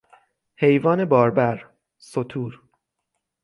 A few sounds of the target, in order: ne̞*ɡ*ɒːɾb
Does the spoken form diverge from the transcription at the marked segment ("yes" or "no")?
yes